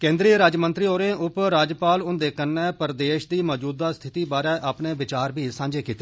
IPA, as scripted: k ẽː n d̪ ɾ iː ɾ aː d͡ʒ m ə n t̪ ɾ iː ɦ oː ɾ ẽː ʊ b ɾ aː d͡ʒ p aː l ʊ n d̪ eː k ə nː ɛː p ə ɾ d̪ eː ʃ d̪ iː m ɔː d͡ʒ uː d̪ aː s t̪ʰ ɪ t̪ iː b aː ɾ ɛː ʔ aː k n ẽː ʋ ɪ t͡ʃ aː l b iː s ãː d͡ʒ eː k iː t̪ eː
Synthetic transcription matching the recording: k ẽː n d̪ ɾ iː ɾ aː d͡ʒ m ə n t̪ ɾ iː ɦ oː ɾ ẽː ʊ p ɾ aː d͡ʒ p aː l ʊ n d̪ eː k ə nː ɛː p ə ɾ d̪ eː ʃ d̪ iː m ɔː d͡ʒ uː d̪ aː s t̪ʰ ɪ t̪ iː b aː ɾ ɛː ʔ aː p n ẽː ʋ ɪ t͡ʃ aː ɾ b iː s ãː d͡ʒ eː k iː t̪ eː